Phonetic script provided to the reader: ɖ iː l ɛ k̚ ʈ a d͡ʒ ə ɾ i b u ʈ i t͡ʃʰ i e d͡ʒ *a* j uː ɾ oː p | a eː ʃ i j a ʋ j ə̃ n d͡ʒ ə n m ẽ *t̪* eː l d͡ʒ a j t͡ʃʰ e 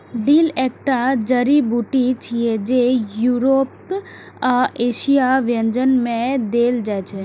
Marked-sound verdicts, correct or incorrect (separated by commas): incorrect, incorrect